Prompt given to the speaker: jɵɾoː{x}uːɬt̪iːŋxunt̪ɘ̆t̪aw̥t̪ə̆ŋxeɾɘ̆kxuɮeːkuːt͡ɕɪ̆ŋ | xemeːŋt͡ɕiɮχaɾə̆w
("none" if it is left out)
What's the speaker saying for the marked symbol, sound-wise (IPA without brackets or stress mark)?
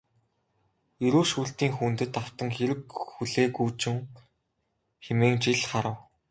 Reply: ʃ